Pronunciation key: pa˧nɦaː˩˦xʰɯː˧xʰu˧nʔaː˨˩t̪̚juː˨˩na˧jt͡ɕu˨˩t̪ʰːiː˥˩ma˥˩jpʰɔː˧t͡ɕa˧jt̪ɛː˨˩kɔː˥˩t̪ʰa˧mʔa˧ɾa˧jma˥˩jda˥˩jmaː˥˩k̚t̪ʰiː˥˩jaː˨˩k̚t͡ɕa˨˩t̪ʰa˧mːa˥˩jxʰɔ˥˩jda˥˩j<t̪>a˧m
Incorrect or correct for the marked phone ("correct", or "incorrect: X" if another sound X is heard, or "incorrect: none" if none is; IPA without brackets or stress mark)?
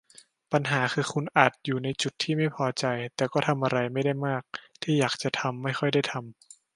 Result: incorrect: t̪ʰ